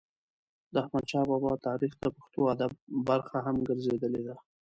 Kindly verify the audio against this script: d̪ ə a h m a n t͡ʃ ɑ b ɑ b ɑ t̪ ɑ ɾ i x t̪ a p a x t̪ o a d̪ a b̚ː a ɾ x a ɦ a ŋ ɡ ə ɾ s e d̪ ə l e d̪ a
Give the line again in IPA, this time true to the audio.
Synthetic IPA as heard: d̪ ə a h m a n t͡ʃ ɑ b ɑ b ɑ t̪ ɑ ɾ i x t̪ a p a x t̪ o a d̪ a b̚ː a ɾ x a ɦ a m ɡ ə ɾ z e d̪ ə l e d̪ a